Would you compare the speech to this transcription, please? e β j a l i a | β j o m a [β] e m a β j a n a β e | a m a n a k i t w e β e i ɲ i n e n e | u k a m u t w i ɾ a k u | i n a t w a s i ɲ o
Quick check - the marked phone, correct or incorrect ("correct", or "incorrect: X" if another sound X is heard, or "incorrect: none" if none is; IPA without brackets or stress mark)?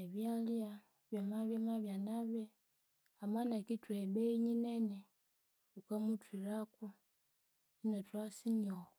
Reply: correct